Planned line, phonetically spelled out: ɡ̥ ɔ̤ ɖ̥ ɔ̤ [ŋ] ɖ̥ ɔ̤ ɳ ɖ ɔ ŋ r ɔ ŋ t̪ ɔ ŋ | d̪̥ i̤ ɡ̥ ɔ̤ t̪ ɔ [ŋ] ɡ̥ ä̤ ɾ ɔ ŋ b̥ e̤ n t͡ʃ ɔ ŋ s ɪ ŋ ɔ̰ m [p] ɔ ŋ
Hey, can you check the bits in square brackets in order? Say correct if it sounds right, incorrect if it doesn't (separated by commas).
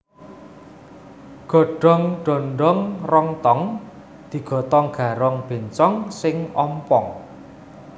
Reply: correct, correct, correct